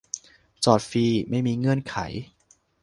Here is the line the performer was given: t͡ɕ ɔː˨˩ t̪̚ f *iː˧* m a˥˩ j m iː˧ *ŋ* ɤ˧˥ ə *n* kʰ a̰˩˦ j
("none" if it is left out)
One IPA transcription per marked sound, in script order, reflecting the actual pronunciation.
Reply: iː˧, ŋ, n

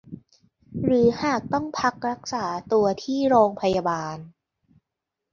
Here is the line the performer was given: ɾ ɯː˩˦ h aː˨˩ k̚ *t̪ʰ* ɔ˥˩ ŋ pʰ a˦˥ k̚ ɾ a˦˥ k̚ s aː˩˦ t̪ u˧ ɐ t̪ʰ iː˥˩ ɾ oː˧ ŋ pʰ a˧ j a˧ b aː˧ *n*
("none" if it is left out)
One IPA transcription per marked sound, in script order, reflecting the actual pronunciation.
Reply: t̪, n

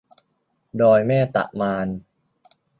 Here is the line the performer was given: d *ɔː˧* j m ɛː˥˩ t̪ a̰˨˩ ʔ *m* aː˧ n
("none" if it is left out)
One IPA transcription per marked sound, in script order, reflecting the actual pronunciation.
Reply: ɔː˧, m

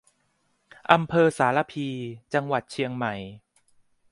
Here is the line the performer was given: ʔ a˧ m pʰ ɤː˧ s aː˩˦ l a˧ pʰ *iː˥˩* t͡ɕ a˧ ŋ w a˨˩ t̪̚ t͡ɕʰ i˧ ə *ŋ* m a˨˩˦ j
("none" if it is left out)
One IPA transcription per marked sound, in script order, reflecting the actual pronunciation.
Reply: iː˧, ŋ

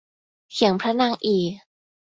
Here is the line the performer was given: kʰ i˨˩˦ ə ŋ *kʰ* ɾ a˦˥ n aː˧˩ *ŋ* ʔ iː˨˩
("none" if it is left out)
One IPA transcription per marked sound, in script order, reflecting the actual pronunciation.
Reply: pʰ, ŋ

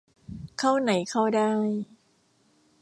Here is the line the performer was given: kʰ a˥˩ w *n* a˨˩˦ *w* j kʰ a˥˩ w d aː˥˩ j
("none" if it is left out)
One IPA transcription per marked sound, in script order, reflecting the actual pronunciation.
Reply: n, none

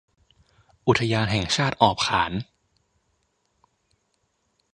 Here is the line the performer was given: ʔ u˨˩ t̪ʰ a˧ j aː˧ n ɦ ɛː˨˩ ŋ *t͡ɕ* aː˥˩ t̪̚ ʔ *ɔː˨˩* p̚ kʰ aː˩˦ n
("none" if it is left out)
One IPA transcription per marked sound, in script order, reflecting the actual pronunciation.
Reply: t͡ɕʰ, ɔː˨˩

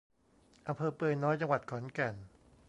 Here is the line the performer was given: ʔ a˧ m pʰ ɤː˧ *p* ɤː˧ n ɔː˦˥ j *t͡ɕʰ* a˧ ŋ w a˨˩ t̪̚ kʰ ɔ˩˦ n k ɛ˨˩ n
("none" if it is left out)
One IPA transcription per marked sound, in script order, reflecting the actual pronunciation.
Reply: p, t͡ɕ

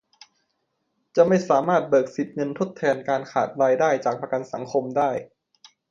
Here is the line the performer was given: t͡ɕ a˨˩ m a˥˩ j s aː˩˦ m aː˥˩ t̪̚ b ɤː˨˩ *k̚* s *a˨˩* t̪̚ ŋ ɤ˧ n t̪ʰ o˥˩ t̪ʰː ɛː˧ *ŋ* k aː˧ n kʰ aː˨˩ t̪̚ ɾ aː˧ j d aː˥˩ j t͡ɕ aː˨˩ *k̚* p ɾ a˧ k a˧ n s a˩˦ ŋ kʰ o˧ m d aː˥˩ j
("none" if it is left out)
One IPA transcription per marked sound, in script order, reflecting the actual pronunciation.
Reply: k̚, i˨˩, n, k̚

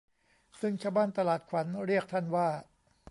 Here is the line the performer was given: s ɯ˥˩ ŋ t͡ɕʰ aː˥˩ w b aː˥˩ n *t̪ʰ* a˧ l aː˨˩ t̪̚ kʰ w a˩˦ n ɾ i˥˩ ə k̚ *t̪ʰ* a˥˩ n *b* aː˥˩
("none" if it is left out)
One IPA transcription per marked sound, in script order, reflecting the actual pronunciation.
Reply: t̪, t̪ʰ, w

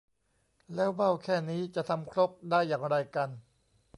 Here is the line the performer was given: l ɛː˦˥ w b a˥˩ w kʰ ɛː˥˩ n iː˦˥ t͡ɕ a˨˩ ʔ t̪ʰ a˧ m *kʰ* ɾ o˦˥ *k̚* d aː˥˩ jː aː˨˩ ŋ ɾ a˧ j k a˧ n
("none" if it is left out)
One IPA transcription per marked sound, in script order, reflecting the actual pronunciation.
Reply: kʰ, p̚

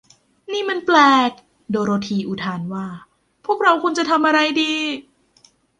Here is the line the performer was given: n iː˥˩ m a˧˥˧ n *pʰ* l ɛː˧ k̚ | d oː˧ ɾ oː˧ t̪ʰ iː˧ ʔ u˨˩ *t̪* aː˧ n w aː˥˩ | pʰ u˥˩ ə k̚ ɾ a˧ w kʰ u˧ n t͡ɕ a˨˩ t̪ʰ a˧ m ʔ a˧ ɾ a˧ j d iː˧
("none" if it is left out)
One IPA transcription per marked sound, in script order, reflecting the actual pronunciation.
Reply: p, t̪ʰ

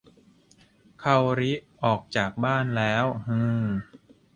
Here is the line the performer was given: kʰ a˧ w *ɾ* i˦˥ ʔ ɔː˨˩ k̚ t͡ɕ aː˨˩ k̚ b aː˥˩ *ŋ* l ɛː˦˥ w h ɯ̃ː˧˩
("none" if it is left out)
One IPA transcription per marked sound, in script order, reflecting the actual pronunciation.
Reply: ɾ, n

